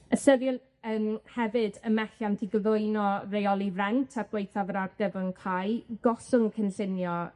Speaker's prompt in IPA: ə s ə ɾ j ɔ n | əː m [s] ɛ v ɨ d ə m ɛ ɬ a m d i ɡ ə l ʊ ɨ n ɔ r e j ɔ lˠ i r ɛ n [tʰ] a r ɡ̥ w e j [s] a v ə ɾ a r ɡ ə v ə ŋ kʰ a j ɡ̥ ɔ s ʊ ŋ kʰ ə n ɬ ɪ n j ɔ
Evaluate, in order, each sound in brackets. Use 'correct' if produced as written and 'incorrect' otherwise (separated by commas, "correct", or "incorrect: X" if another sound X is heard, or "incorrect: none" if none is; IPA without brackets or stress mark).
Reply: incorrect: h, correct, incorrect: θ